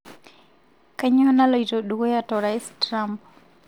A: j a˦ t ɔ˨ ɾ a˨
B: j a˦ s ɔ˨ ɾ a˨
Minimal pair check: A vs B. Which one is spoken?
A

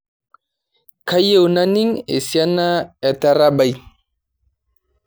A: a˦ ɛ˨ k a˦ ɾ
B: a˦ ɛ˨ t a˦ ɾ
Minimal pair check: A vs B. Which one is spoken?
B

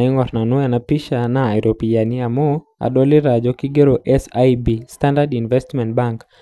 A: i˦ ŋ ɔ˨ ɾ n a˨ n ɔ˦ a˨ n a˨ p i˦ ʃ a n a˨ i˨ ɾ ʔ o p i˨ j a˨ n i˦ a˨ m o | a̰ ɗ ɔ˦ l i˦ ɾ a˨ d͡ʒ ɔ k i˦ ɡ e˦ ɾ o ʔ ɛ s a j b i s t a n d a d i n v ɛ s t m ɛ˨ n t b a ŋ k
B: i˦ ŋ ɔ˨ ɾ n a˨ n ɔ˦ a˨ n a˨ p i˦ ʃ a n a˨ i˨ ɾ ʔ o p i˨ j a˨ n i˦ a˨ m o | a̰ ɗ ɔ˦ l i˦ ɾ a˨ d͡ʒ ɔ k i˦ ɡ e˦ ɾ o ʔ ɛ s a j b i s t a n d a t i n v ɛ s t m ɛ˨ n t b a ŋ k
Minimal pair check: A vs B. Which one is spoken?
A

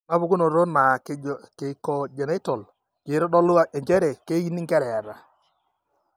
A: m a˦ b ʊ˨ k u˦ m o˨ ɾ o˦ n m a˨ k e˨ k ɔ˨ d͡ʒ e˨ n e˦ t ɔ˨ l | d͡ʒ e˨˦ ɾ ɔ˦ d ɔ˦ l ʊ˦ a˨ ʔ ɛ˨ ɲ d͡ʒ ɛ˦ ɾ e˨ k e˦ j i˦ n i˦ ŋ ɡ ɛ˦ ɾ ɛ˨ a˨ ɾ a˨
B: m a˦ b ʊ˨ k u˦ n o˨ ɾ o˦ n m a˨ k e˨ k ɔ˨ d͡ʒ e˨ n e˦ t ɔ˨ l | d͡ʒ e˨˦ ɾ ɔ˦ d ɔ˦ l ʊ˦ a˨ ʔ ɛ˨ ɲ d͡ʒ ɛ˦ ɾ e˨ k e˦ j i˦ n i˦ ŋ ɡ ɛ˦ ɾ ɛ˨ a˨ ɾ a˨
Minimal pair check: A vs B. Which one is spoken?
B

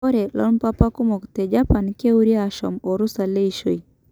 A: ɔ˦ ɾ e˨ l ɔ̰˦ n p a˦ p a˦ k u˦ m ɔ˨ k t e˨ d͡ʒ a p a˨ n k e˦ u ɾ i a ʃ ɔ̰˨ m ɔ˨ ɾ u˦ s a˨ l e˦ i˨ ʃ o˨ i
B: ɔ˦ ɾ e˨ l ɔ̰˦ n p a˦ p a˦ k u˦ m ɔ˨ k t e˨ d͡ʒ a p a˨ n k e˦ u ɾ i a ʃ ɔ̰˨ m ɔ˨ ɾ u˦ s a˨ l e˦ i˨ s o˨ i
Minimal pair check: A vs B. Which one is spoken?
A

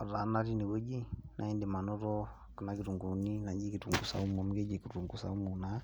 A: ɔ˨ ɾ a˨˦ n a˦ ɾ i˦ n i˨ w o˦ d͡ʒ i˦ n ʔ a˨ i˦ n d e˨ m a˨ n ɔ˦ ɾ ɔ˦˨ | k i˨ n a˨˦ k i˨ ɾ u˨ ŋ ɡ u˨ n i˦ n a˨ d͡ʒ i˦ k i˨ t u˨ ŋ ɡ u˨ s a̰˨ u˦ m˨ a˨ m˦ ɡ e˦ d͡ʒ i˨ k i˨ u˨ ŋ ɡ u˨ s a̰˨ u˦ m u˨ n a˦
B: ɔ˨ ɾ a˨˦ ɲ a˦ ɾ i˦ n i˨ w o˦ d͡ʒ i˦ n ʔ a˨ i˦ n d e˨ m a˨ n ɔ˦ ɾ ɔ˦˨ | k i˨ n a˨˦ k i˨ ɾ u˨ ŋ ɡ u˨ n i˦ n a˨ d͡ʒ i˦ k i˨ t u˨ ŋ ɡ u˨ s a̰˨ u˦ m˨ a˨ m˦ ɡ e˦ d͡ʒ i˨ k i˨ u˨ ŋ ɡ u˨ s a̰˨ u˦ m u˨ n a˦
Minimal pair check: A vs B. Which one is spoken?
A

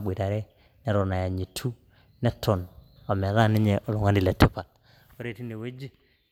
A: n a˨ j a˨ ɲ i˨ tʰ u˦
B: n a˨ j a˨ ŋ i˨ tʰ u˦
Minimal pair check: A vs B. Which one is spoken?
A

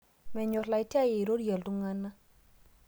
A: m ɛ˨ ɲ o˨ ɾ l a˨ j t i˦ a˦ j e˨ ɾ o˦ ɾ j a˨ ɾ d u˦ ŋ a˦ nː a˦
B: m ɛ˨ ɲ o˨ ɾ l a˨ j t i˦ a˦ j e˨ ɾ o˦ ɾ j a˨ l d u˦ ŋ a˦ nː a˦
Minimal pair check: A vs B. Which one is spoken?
B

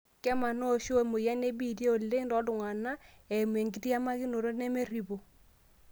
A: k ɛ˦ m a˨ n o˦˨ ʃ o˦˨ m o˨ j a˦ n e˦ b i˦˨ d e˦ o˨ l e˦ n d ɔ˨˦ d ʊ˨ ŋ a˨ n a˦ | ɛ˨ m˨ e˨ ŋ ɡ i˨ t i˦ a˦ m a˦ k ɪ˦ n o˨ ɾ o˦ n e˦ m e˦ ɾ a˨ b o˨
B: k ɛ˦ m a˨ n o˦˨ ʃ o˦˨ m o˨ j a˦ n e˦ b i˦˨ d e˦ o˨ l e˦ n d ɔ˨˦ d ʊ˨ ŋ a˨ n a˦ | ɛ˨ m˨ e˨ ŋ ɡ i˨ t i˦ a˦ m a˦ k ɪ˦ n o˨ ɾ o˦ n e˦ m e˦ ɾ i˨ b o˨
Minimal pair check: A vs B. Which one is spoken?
B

